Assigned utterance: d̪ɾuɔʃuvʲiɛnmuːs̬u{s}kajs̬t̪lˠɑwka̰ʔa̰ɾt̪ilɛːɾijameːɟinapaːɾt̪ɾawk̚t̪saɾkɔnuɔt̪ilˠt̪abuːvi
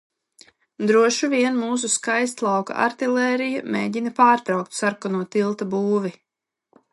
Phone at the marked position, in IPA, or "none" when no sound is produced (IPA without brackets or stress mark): s